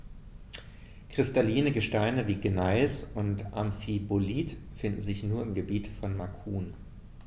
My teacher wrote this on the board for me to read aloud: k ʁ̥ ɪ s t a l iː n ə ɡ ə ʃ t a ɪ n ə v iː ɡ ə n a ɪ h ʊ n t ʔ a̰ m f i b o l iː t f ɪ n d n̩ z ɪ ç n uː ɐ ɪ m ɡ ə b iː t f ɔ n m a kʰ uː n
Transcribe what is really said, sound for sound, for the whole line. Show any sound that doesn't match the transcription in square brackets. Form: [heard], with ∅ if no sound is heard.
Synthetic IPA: k ʁ̥ ɪ s t a l iː n ə ɡ ə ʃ t a ɪ n ə v iː ɡ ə n a ɪ [s] ʊ n t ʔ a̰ m f i b o l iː t f ɪ n d n̩ z ɪ ç n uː ɐ ɪ m ɡ ə b iː t f ɔ n m a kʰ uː n

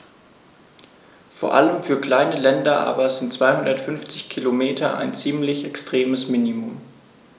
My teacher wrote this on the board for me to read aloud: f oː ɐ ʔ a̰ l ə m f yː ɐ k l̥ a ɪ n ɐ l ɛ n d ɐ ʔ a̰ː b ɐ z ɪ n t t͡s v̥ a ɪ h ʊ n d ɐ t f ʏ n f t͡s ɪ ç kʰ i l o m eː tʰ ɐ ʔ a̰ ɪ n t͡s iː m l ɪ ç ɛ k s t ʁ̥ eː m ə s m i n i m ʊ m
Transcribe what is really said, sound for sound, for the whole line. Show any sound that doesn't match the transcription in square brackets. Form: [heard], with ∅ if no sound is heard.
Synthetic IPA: f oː ɐ ʔ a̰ l ə m f yː ɐ k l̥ a ɪ n [ə] l ɛ n d ɐ ʔ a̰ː b ɐ z ɪ n t t͡s v̥ a ɪ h ʊ n d ɐ t f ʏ n f t͡s ɪ ç kʰ i l o m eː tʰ ɐ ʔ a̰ ɪ n t͡s iː m l ɪ ç ɛ k s t ʁ̥ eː m ə s m i n i m ʊ m

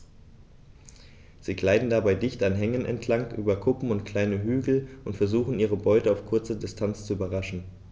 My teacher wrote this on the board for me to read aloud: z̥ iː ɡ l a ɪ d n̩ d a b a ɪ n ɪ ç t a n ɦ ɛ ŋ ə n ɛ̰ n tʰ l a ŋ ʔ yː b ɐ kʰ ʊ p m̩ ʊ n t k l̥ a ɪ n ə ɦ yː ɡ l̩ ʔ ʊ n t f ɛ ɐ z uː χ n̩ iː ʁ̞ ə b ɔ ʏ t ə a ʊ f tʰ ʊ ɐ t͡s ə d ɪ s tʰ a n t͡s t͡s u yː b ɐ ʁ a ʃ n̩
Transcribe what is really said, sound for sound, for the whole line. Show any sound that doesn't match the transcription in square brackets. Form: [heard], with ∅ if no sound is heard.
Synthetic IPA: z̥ iː ɡ l a ɪ d n̩ d a b a ɪ [d] ɪ ç t a n ɦ ɛ ŋ ə n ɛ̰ n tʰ l a ŋ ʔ yː b ɐ kʰ ʊ p m̩ ʊ n t k l̥ a ɪ n ə ɦ yː ɡ l̩ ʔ ʊ n t f ɛ ɐ z uː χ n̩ iː ʁ̞ ə b ɔ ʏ t ə a ʊ f [kʰ] ʊ ɐ t͡s ə d ɪ s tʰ a n t͡s t͡s u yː b ɐ ʁ a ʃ n̩

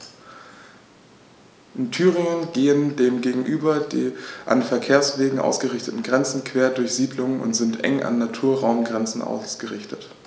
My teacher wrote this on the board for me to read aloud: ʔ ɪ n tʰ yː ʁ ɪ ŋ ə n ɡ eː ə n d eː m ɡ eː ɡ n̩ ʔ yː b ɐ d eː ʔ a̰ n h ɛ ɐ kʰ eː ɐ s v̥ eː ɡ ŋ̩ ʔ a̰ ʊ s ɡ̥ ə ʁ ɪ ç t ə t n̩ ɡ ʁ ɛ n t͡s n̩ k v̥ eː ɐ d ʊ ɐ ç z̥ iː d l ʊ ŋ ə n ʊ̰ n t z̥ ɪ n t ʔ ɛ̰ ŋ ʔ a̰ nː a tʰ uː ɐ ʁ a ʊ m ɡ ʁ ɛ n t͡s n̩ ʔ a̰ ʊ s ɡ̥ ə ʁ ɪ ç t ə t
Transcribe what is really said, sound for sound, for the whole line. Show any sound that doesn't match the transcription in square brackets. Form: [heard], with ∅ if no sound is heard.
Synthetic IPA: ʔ ɪ n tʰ yː ʁ ɪ ŋ ə n ɡ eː ə n d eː m ɡ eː ɡ [ŋ̩] ʔ yː b ɐ d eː ʔ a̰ n [f] ɛ ɐ kʰ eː ɐ s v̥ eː ɡ ŋ̩ ʔ a̰ ʊ s ɡ̥ ə ʁ ɪ ç t ə t n̩ ɡ ʁ ɛ n t͡s n̩ k v̥ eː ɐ d ʊ ɐ ç z̥ iː d l ʊ ŋ ə n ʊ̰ n t z̥ ɪ n t ʔ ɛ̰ ŋ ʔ a̰ nː a tʰ uː ɐ ʁ a ʊ m ɡ ʁ ɛ n t͡s n̩ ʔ a̰ ʊ s ɡ̥ ə ʁ ɪ ç t ə t

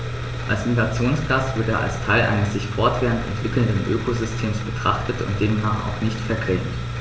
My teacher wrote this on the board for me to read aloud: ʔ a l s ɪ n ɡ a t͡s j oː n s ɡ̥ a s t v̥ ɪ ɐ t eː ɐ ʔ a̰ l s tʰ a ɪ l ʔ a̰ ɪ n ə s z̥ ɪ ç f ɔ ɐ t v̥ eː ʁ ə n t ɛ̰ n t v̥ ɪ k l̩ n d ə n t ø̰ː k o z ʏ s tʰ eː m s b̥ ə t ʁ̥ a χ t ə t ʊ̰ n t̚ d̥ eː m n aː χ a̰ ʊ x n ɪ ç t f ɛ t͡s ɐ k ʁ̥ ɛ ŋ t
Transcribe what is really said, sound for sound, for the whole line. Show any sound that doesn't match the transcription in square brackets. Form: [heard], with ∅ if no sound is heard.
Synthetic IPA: ʔ a l s ɪ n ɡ a t͡s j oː n s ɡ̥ a s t v̥ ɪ ɐ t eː ɐ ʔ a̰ l s tʰ a ɪ l ʔ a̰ ɪ n ə s z̥ ɪ ç f ɔ ɐ t v̥ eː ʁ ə n t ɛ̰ n t v̥ ɪ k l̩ n d ə n [ʔ] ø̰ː k o z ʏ s tʰ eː m s b̥ ə t ʁ̥ a χ t ə t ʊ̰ n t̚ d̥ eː m n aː χ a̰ ʊ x n ɪ ç t f ɛ [∅] ɐ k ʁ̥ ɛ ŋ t

